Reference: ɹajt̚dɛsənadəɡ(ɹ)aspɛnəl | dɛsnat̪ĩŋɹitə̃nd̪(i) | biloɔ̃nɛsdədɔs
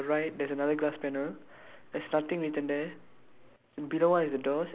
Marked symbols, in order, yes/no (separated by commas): no, no